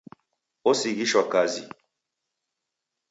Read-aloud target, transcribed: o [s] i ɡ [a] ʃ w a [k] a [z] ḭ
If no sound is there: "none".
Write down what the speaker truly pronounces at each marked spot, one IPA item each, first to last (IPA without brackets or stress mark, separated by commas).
s, i, k, z